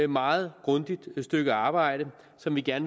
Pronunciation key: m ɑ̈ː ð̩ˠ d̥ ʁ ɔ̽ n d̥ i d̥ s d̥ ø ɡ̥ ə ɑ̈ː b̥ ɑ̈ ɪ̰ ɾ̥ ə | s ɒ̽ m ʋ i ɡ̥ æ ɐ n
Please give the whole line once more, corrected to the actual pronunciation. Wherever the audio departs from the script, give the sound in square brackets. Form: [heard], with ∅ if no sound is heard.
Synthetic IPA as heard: m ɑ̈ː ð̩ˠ [ɡ̥] ʁ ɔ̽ n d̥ i d̥ s d̥ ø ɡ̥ ə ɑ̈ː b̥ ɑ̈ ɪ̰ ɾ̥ ə | s ɒ̽ m ʋ i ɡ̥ æ ɐ n